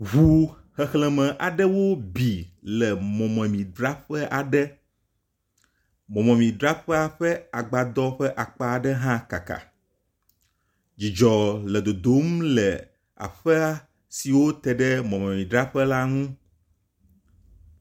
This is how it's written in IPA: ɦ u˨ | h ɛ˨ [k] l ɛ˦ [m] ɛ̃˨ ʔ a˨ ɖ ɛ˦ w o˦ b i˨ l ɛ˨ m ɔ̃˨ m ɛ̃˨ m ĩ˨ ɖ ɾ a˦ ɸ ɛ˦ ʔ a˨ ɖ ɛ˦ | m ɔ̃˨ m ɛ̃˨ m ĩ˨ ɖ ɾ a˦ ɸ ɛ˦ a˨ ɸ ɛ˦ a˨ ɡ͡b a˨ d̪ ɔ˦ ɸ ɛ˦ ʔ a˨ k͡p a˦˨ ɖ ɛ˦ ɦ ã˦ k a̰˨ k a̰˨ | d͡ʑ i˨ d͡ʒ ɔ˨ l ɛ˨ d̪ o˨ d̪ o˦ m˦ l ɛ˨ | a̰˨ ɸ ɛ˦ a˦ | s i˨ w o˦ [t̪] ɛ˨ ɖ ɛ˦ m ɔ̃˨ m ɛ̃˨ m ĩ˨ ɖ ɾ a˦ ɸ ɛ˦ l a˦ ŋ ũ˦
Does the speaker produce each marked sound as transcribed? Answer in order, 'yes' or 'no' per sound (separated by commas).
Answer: no, yes, yes